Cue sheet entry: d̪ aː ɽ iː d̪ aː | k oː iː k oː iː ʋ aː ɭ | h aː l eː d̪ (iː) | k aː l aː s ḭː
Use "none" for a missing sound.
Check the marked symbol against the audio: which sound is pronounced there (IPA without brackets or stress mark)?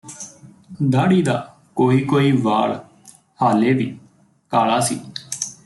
iː